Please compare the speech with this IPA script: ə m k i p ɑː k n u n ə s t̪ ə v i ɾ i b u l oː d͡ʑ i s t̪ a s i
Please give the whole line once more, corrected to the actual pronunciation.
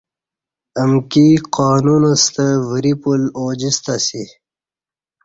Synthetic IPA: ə m k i q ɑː n u n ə s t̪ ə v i ɾ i p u l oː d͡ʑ i s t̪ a s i